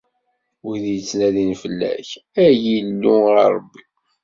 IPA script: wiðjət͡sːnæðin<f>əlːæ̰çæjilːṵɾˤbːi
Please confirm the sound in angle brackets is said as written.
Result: yes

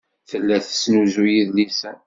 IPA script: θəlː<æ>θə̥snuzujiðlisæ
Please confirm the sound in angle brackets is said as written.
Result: yes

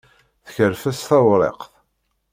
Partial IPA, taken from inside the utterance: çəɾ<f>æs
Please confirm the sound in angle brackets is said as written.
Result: yes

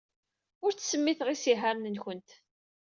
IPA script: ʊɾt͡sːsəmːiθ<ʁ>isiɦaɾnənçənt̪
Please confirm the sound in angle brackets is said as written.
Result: yes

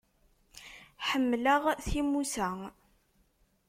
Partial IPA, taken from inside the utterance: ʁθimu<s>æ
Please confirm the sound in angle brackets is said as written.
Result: yes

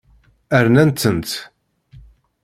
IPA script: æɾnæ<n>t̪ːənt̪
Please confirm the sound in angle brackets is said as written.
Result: yes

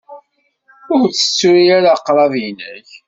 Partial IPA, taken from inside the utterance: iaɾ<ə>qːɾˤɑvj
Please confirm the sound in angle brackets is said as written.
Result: no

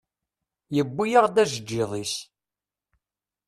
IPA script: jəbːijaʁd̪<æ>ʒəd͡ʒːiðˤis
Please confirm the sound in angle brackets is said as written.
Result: yes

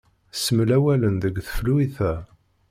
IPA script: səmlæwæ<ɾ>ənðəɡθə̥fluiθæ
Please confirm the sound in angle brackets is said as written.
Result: no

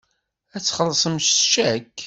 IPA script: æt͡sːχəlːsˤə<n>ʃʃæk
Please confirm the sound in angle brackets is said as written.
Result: no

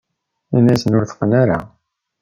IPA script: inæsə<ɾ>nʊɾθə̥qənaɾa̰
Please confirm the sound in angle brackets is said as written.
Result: no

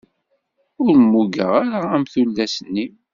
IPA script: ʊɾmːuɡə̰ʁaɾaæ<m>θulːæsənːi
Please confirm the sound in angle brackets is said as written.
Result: yes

